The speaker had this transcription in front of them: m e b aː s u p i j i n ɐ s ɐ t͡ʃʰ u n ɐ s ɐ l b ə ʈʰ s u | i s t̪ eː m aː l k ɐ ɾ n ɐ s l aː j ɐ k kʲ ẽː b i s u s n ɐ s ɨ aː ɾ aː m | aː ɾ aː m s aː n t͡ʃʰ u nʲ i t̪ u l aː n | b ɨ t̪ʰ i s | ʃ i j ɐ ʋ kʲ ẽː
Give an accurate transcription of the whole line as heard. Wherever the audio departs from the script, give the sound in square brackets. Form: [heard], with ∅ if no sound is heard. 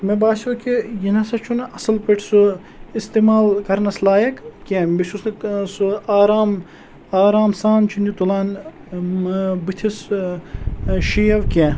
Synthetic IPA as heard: m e b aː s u [k] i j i n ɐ s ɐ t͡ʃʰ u n ɐ s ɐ l [p] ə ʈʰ s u | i s t̪ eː m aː l k ɐ ɾ n ɐ s l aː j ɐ k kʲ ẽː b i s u s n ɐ s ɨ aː ɾ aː m | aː ɾ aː m s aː n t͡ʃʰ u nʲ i t̪ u l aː n | b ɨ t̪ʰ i s | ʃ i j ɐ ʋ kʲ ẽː